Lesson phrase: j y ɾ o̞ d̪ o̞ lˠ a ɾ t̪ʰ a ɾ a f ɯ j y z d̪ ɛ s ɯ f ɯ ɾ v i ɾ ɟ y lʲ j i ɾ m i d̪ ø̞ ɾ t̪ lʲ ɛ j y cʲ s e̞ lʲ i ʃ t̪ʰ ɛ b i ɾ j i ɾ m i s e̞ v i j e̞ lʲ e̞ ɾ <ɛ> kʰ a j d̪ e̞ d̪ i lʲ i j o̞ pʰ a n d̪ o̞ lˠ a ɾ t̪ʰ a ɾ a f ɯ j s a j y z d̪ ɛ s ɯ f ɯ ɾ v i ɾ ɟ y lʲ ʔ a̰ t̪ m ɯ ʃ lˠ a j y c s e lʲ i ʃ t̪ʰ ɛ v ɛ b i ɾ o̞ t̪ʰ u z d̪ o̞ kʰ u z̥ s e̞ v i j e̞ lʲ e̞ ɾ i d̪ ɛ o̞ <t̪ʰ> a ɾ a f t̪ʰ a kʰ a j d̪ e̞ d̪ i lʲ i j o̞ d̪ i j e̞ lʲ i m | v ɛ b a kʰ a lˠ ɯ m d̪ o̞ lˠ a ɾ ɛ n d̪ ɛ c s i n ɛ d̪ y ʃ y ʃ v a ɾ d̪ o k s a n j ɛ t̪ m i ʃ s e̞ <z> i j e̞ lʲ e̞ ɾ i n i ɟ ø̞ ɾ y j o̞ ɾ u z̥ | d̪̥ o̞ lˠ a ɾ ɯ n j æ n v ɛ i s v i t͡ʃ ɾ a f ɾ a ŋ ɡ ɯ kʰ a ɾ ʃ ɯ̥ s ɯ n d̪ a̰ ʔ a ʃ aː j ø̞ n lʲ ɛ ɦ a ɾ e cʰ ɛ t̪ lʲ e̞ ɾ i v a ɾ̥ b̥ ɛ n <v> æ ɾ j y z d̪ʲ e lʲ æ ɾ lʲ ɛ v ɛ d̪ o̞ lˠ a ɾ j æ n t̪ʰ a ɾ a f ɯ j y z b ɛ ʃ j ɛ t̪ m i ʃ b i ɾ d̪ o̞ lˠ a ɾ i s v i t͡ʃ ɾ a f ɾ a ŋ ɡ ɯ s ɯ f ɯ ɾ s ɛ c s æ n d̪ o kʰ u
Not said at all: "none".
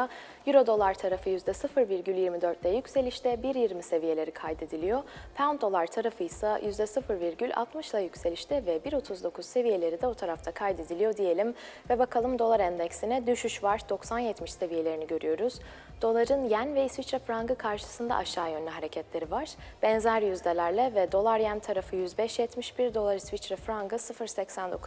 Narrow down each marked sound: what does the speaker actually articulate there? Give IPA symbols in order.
i, t̪ʰ, v, z

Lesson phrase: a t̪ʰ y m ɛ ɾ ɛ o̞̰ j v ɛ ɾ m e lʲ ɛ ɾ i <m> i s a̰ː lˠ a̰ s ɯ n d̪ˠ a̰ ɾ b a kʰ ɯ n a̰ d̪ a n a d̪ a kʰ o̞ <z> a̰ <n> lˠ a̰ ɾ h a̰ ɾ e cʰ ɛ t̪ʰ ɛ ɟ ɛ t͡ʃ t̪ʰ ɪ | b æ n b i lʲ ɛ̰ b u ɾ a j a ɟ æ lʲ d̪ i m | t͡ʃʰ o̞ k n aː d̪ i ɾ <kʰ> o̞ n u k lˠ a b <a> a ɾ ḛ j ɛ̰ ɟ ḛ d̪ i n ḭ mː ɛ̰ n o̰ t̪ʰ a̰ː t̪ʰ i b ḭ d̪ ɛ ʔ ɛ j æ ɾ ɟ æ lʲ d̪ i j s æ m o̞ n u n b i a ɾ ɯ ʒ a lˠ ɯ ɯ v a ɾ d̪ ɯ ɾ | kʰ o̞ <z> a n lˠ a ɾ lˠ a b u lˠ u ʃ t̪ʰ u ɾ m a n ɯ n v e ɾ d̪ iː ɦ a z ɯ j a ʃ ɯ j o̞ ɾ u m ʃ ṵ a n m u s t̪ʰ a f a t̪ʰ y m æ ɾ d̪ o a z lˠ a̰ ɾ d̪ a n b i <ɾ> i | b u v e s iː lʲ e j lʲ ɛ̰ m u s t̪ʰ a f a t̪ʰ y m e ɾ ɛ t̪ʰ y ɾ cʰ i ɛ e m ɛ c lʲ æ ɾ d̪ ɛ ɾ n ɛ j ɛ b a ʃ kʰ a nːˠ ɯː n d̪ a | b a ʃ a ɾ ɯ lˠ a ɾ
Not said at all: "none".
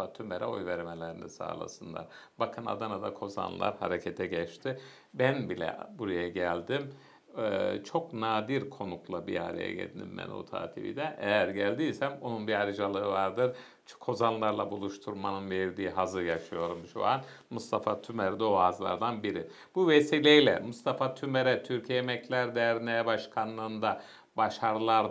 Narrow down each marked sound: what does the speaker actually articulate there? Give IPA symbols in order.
n, z, n, kʰ, i, z, ɾ

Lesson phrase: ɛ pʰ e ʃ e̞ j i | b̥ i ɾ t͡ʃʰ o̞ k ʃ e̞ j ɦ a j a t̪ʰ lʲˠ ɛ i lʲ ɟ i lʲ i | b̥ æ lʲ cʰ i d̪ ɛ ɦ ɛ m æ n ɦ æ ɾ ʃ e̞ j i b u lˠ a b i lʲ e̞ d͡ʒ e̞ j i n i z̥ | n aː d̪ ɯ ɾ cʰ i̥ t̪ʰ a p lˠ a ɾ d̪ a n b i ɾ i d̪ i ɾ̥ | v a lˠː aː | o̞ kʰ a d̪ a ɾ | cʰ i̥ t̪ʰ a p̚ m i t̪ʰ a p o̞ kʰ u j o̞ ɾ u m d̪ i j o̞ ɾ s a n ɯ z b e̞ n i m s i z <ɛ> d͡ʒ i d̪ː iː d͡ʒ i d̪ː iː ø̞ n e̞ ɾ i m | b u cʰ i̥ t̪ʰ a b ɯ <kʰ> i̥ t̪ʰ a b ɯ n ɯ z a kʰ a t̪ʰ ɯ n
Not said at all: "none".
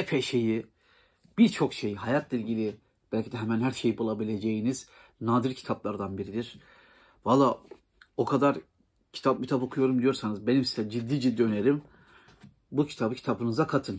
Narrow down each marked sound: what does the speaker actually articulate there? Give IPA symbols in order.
ɛ, cʰ

